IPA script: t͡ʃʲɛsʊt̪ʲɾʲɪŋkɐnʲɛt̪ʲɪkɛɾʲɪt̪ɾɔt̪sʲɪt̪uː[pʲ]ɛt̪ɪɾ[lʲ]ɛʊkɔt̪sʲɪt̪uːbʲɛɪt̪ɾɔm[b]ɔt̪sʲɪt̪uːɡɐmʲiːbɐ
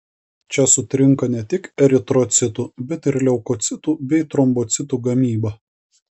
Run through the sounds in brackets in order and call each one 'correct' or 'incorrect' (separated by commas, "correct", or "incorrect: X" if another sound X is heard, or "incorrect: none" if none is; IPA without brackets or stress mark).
incorrect: bʲ, correct, correct